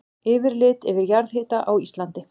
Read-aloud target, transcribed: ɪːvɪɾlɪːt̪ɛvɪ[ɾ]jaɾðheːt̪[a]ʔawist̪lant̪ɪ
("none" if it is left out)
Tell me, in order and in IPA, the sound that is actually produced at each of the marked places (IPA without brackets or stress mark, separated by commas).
ɾ, a